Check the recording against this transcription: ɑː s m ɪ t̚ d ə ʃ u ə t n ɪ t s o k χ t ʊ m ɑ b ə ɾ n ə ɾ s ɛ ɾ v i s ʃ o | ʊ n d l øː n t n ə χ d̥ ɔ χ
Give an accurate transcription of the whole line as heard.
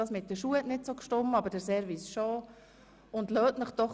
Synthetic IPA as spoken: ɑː s m ɪ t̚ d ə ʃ u ə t n ɪ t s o k ʃ t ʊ m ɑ b ə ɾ d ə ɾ s ɛ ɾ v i s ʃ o | ʊ n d l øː t n ə χ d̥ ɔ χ